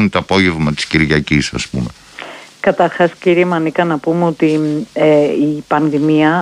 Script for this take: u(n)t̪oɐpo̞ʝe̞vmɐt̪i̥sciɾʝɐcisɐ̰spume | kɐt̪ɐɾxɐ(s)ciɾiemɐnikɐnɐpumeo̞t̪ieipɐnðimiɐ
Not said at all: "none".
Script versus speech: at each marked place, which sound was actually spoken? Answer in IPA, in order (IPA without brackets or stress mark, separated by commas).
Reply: n, s